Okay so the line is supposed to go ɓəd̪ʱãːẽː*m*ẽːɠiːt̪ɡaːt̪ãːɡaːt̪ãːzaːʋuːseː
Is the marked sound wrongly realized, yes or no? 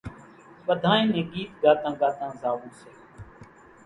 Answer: yes